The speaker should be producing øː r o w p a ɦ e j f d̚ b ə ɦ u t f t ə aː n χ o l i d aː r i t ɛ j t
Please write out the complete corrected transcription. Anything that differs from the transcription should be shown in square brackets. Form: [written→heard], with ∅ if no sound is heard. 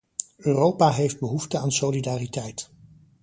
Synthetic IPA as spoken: øː r o w p a ɦ e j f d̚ b ə ɦ u [t→∅] f t ə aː n [χ→s] o l i d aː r i t ɛ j t